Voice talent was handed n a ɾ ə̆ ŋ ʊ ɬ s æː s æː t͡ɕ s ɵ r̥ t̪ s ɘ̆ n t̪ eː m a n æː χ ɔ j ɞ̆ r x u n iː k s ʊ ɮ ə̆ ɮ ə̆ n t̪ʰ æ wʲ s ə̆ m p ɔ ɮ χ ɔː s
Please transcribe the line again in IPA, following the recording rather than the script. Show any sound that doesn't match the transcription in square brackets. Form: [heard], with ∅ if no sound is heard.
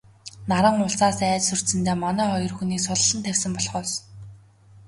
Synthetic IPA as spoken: n a ɾ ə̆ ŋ ʊ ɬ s [aː] s æː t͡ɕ s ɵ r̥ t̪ s ɘ̆ n t̪ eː m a n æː χ ɔ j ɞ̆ r x u n iː k s ʊ ɮ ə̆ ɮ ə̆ n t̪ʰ æ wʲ s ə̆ m p ɔ ɮ χ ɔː s

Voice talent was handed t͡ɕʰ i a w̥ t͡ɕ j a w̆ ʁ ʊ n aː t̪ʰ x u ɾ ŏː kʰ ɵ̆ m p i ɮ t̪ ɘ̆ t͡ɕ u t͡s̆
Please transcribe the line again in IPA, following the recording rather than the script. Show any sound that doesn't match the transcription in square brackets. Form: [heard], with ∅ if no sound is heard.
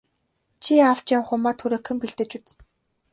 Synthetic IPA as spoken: t͡ɕʰ i a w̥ t͡ɕ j a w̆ [χ] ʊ [m] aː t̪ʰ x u ɾ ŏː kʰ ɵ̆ m p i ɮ t̪ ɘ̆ t͡ɕ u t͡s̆

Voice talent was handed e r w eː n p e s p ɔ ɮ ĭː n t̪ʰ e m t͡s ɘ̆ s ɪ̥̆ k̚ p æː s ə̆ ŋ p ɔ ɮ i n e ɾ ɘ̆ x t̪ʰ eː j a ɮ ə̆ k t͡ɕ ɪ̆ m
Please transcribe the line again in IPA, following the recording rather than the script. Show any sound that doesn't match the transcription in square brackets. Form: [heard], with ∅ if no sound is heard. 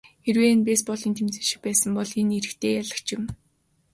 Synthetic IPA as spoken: e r w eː n p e s p ɔ ɮ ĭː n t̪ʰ e m t͡s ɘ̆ [ʃ] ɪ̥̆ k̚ p æː s ə̆ [m] p ɔ ɮ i n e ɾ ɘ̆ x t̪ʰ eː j a ɮ ə̆ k t͡ɕ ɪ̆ m

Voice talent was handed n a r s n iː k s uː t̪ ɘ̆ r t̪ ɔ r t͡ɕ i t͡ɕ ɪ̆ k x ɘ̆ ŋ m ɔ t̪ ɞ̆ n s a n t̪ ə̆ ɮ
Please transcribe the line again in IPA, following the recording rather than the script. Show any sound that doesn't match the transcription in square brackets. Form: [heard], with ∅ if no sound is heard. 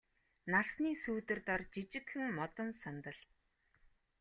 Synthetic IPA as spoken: n a r s n iː [∅] s uː t̪ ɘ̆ r t̪ ɔ r t͡ɕ i t͡ɕ ɪ̆ k x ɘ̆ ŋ m ɔ t̪ ɞ̆ n s a n t̪ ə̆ ɮ

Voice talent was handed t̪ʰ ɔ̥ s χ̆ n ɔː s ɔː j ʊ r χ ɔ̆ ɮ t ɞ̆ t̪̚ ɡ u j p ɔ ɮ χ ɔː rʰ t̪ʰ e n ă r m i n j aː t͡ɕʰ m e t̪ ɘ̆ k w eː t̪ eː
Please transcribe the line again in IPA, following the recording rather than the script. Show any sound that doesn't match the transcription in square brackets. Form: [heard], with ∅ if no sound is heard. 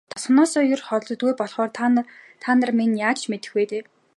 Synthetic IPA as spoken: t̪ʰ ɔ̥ s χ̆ n ɔː s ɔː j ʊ r χ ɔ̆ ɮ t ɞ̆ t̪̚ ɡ u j p ɔ ɮ χ ɔː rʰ t̪ʰ [a] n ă r m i n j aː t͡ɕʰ m e t̪ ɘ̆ [x] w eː t̪ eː

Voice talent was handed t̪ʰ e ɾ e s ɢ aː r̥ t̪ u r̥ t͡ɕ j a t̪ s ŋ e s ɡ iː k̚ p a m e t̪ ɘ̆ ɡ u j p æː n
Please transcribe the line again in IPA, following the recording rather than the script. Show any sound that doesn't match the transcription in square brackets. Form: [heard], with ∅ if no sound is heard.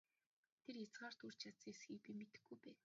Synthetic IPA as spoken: t̪ʰ e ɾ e [t͡s] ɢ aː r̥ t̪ u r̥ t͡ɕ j a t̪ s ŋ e s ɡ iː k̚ p [i] m e t̪ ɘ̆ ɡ u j p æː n

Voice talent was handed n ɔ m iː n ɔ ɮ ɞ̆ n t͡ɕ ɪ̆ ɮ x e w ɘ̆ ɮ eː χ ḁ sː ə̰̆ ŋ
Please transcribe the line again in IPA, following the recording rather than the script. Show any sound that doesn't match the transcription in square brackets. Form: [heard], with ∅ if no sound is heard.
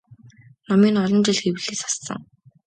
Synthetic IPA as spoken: n ɔ m iː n ɔ ɮ ɞ̆ n t͡ɕ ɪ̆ ɮ x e w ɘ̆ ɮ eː [s] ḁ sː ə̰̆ ŋ

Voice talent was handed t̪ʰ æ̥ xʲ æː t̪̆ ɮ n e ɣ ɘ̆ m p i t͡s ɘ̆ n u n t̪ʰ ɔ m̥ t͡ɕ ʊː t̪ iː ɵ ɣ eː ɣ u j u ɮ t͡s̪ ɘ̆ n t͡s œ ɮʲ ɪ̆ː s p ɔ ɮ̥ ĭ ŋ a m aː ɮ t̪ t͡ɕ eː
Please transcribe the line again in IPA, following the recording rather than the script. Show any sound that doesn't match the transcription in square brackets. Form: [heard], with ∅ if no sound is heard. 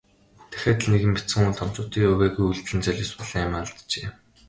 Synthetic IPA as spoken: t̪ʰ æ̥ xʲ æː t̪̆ ɮ n e ɣ ɘ̆ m p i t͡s ɘ̆ [ŋ] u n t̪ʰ ɔ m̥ t͡ɕ ʊː t̪ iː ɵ ɣ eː ɣ u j u ɮ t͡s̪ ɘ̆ n t͡s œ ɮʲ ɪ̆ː s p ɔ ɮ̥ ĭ ŋ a m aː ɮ t̪ t͡ɕ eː

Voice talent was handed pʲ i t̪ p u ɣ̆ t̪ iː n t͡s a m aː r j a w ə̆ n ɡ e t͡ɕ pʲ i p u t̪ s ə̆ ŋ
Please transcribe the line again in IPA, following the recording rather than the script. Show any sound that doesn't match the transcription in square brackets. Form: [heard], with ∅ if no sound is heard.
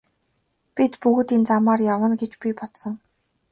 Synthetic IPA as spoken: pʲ i t̪ p u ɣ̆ t̪ iː n t͡s a m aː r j a w ə̆ n ɡ e t͡ɕ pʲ i p [ɔ] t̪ s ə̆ ŋ

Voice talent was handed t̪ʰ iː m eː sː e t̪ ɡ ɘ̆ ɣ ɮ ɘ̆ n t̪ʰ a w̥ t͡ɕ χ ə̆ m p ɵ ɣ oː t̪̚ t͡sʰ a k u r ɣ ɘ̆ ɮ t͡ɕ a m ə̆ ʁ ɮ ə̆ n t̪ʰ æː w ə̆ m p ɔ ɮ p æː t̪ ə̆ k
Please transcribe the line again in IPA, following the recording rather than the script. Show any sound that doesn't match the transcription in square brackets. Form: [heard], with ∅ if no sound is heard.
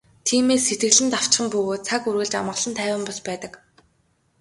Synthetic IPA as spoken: t̪ʰ iː m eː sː e t̪ ɡ ɘ̆ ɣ ɮ ɘ̆ n [t̪] a w̥ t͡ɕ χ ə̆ m p ɵ ɣ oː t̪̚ t͡sʰ a k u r ɣ ɘ̆ ɮ t͡ɕ a m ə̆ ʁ ɮ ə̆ n t̪ʰ æː w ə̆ m p ɔ ɮ p æː t̪ ə̆ k

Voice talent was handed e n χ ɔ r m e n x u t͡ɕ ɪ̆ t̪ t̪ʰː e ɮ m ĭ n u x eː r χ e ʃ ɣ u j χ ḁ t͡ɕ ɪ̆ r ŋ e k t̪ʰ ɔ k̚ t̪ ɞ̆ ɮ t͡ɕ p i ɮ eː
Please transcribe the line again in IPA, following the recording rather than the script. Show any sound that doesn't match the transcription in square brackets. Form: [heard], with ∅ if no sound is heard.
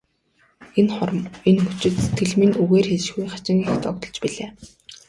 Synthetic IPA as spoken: e n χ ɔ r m e n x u t͡ɕ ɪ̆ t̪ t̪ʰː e ɮ m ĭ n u [ɣ] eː r [x] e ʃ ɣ u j χ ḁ t͡ɕ ɪ̆ [∅] ŋ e [x] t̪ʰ ɔ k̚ t̪ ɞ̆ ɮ t͡ɕ p i ɮ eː

